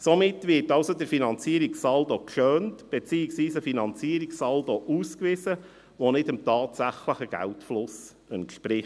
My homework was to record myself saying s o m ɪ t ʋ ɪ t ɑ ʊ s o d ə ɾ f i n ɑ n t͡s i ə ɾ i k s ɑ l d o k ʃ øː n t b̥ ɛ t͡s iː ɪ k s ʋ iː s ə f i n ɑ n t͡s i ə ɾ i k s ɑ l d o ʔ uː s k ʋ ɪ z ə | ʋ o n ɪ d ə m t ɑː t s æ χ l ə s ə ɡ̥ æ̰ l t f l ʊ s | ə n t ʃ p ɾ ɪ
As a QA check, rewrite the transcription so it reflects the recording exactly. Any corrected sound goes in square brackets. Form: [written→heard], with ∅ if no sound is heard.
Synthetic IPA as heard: s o m ɪ t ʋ ɪ t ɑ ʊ s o d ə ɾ f i n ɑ n t͡s i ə ɾ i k s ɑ l d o k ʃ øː n t b̥ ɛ t͡s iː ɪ k s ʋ iː s ə f i n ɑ n t͡s i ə ɾ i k s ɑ l d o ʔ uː s k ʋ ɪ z ə | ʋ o n ɪ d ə m t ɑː t s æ χ l ə [s→χ] ə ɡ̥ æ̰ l t f l ʊ s | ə n t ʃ p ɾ ɪ